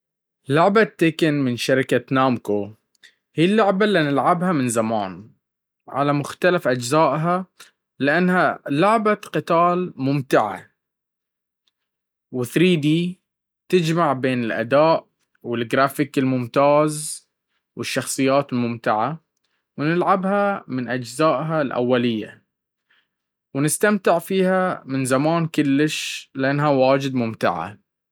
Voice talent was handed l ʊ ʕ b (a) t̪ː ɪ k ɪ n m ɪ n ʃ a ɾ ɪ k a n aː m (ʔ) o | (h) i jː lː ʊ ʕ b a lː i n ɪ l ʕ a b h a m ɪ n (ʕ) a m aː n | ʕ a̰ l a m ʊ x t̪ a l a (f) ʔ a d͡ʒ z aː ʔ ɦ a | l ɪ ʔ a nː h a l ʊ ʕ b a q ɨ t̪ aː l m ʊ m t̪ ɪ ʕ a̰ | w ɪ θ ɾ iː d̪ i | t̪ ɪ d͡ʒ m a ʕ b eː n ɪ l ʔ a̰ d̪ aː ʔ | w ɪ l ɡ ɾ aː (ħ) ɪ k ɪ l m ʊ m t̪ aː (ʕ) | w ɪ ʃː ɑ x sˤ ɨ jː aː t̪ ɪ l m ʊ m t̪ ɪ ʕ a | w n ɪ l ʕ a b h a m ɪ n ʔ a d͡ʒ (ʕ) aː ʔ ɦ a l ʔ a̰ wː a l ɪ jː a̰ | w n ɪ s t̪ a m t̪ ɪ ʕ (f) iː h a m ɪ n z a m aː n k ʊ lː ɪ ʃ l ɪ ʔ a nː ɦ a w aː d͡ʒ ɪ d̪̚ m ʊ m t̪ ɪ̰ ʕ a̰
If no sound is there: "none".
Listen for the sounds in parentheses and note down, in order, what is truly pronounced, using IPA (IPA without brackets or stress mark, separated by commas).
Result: a, k, h, z, f, f, z, z, f